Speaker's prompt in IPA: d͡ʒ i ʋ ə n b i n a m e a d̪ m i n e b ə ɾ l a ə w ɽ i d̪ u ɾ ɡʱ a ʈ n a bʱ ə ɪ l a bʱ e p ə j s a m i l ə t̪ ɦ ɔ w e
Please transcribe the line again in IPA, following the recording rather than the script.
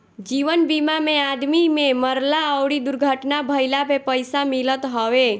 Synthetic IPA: d͡ʒ i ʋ ə n b i m a m e a d̪ m i m e m ə ɾ l a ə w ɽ i d̪ u ɾ ɡʱ ə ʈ n a bʱ ə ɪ l a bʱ e p ə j s a m i l ə t̪ ɦ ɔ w e